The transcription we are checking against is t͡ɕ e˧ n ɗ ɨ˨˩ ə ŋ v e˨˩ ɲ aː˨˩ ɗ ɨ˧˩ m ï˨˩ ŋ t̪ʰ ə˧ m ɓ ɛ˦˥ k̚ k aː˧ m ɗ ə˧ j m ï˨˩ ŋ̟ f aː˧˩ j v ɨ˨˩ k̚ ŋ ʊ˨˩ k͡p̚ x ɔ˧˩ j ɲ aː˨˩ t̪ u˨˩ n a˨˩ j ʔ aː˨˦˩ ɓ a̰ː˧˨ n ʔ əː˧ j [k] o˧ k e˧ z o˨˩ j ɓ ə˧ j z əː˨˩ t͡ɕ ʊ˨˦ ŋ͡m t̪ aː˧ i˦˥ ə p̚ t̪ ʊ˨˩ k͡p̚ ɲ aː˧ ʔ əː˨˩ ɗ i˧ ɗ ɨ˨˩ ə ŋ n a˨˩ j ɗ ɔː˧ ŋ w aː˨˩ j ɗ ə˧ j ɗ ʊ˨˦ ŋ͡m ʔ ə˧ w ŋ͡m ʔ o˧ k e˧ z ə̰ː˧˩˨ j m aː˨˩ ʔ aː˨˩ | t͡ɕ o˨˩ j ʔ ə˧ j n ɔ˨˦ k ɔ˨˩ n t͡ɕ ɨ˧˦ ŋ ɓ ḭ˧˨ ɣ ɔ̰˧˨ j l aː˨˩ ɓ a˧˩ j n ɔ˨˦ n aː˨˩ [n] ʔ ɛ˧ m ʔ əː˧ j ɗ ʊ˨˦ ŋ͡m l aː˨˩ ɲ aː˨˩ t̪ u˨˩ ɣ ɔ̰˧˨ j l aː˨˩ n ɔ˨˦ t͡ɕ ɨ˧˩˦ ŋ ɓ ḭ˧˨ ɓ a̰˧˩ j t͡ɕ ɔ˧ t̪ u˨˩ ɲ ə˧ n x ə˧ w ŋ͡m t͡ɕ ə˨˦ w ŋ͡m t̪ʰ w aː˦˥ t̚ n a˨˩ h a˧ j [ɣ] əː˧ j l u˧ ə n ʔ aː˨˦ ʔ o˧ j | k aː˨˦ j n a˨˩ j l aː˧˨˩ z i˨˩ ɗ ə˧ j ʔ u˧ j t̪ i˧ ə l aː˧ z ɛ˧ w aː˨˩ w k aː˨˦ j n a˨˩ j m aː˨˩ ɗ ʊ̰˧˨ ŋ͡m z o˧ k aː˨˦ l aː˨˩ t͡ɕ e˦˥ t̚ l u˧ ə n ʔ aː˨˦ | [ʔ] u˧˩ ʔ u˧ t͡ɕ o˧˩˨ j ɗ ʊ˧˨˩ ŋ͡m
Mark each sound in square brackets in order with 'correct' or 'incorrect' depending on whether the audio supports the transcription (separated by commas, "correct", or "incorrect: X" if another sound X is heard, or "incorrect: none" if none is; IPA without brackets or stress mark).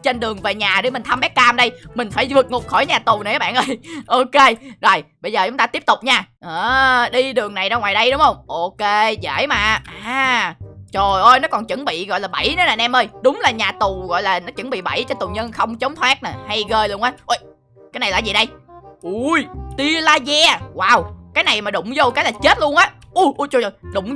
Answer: incorrect: ʔ, correct, correct, correct